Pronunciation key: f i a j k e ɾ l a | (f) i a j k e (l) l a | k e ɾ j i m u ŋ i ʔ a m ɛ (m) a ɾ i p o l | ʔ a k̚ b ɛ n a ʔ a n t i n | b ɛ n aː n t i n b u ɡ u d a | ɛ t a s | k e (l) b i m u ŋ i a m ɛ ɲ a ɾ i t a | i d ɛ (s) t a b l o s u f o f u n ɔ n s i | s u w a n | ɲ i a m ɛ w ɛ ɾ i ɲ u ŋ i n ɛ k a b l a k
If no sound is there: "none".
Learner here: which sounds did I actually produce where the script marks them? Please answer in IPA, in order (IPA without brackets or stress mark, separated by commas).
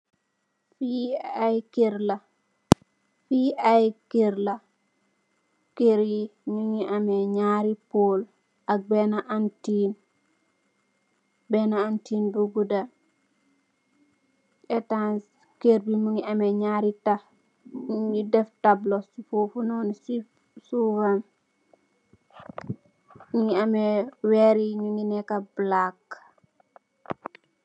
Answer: f, ɾ, ɲ, ɾ, f